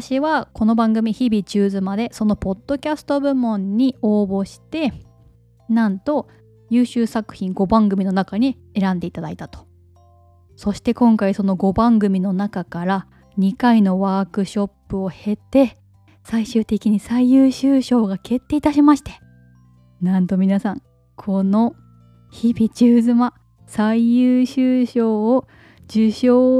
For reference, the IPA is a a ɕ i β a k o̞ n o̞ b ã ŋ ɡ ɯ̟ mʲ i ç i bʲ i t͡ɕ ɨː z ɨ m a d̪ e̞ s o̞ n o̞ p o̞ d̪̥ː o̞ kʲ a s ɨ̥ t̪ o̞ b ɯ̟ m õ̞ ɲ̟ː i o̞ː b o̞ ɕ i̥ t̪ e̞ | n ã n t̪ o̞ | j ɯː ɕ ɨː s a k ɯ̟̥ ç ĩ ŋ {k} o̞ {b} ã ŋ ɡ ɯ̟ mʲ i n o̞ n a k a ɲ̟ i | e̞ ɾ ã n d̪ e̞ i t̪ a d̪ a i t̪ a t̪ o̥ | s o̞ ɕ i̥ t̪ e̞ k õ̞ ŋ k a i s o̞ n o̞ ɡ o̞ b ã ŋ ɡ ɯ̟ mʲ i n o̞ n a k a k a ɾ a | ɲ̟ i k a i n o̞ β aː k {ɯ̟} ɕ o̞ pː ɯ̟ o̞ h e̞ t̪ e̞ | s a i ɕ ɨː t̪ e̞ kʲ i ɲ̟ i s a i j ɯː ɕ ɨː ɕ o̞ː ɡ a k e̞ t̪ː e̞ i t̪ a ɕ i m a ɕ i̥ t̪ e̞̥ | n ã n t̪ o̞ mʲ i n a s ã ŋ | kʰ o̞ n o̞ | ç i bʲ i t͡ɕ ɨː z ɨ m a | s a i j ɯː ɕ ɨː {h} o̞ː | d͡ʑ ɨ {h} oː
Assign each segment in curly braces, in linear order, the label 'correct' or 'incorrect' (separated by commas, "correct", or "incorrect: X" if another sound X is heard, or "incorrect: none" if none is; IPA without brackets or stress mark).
incorrect: ɡ, correct, correct, incorrect: ɕ, incorrect: ɕ